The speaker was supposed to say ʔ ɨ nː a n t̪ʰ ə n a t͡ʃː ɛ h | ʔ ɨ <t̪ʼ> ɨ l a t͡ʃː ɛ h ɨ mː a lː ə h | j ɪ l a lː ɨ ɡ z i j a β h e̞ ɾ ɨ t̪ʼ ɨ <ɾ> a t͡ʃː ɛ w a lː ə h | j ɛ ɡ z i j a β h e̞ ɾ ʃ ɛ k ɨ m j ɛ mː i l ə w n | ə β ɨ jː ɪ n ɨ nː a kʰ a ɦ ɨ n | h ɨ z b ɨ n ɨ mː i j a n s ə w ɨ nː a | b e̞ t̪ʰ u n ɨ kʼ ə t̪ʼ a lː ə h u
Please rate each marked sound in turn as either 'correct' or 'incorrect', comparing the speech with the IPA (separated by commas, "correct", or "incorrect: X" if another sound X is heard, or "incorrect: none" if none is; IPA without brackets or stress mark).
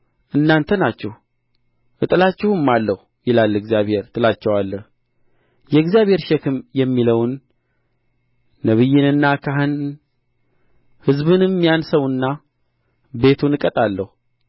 correct, incorrect: l